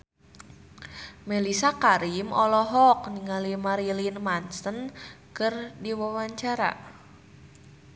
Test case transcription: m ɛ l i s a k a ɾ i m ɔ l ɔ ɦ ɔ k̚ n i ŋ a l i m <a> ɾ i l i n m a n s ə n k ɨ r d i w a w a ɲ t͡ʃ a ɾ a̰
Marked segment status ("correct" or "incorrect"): correct